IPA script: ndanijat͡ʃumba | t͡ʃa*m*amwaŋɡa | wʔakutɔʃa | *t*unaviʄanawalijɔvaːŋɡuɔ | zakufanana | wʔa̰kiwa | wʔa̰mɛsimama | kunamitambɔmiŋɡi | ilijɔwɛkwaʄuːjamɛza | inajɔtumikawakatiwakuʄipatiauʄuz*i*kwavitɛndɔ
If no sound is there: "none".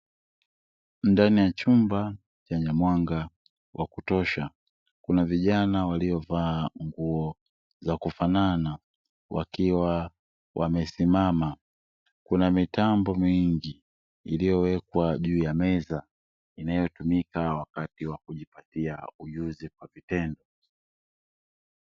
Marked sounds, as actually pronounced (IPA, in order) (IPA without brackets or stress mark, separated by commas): ɲ, k, i